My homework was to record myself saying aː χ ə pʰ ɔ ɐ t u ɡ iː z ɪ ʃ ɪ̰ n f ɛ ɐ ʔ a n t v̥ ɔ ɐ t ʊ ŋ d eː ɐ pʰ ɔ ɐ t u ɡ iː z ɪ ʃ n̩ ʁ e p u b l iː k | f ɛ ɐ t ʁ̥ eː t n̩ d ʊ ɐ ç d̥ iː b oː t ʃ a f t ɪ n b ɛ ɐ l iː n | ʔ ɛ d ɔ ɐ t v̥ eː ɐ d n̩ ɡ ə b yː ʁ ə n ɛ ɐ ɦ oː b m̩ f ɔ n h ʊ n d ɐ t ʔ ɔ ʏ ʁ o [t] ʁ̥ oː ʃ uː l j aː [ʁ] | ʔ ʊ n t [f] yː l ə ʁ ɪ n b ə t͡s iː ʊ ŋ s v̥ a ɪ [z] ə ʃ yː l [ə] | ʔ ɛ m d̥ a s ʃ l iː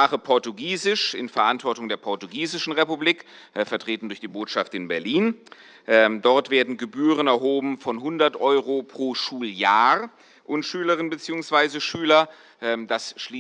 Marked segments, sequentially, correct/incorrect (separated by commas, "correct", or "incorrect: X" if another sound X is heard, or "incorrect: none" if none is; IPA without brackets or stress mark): incorrect: p, correct, incorrect: ʃ, correct, incorrect: ɐ